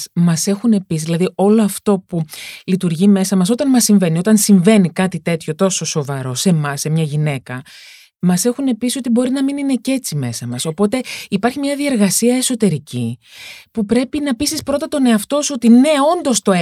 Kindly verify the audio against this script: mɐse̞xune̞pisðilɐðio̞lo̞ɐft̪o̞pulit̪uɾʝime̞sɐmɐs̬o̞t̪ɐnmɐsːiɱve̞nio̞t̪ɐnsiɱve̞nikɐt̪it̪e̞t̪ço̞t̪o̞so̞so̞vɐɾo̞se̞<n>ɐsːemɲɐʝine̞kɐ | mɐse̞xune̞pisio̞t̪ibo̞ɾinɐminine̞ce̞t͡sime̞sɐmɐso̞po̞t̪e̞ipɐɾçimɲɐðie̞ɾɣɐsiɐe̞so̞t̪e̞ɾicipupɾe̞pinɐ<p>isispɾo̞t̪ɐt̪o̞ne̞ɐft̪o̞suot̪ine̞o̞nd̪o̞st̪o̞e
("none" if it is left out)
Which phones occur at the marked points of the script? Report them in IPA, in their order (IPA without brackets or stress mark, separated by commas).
m, p